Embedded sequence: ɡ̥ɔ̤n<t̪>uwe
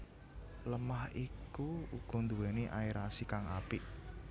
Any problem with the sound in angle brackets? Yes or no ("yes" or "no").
yes